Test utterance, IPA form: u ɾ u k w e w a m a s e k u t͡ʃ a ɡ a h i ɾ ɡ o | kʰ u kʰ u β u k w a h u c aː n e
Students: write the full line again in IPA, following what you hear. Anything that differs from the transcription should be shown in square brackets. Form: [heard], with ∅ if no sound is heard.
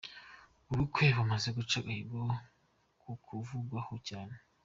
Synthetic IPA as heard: u ɾ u k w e [β] a m a [z] e [ɡ] u t͡ʃ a ɡ a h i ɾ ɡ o | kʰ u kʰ u [v] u [ɡ] w a h [o] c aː n e